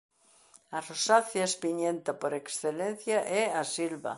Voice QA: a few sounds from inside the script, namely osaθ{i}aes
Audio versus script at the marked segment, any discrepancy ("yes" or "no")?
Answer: yes